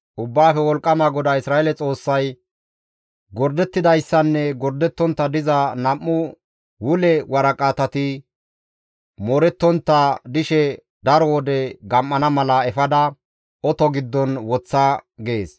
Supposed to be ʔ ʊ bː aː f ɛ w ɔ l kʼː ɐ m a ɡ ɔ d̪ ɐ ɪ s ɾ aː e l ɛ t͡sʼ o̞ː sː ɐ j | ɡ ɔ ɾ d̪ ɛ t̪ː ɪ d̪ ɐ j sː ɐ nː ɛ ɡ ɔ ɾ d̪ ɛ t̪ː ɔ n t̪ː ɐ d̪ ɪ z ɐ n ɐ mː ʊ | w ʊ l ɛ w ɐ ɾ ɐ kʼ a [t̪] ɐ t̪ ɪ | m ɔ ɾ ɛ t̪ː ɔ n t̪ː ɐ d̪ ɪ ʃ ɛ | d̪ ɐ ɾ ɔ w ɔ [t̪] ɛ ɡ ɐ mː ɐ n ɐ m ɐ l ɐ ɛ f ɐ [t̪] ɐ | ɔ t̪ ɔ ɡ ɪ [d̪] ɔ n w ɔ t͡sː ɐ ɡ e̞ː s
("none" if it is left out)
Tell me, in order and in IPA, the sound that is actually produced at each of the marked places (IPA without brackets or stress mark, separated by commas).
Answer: t̪, d̪, d̪, d̪ː